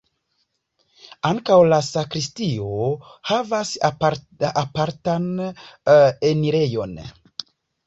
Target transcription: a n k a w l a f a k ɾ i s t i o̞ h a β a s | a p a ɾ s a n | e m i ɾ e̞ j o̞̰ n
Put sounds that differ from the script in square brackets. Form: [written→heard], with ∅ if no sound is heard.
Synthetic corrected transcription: a [n→ŋ] k a w l a [f→s] a k ɾ i s t i o̞ h a [β→v] a s | a p a ɾ [s→t] a n | e [m→n] i ɾ e̞ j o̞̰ n